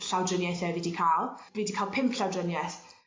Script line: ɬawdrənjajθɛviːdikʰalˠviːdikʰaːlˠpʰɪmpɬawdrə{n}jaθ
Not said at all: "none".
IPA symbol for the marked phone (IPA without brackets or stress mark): n